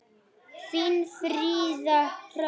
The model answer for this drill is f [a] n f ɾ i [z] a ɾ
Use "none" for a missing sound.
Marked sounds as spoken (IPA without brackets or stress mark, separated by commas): i, z